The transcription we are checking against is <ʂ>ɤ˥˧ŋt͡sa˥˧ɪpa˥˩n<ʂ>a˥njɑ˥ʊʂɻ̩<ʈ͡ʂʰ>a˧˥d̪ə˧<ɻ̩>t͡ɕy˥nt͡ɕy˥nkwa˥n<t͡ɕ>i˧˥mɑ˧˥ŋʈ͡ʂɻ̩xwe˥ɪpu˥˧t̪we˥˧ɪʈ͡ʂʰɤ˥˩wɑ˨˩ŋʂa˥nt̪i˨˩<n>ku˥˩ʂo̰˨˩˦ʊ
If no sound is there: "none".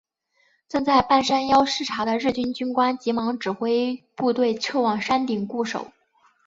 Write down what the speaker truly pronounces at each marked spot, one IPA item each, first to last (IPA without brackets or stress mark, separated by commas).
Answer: ʈ͡ʂ, ʂ, ʈ͡ʂʰ, ɻ̩, t͡ɕ, ŋ